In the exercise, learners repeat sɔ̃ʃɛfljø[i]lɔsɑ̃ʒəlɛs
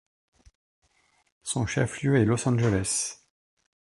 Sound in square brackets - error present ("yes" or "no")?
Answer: yes